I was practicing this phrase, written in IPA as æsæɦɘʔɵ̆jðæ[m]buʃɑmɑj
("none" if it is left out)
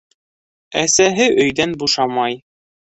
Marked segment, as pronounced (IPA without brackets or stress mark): n